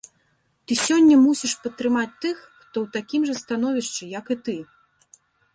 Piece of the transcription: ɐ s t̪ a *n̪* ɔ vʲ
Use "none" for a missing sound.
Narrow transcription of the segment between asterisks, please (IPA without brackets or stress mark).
n̪